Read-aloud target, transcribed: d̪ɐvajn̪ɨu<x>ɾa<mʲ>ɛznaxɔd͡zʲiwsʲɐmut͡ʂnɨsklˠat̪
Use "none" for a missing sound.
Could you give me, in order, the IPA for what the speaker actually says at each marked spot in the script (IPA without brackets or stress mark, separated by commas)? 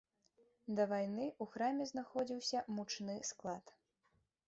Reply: x, mʲ